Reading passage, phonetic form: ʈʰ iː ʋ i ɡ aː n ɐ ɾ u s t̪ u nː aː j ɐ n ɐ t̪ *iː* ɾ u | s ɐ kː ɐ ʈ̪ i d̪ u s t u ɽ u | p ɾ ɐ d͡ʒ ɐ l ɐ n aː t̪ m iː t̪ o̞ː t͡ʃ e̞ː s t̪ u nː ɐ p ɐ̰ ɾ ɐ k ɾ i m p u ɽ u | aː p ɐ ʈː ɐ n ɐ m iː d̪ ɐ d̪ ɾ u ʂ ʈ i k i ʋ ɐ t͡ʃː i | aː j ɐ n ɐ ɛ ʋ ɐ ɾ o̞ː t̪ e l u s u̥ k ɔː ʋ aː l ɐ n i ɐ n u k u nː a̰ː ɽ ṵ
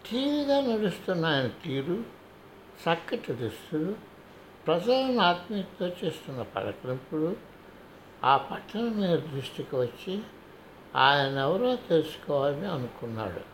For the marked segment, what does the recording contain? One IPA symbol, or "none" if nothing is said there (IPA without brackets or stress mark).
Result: iː